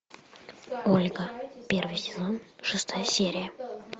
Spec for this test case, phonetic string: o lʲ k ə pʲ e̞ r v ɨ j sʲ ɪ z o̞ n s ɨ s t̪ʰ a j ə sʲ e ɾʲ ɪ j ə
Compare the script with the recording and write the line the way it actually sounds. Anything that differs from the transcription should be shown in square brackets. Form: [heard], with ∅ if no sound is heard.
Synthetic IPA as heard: o lʲ [ɡ] ə pʲ e̞ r v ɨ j sʲ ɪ z o̞ n [ʂ] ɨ s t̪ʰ a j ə sʲ e ɾʲ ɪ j ə